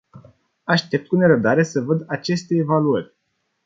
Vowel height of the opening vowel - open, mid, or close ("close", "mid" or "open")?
open